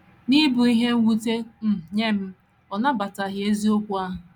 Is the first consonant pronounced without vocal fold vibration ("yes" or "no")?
no